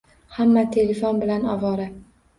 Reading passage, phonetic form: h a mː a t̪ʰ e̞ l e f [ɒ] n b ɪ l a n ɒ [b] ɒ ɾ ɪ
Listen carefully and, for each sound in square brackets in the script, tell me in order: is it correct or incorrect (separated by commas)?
incorrect, incorrect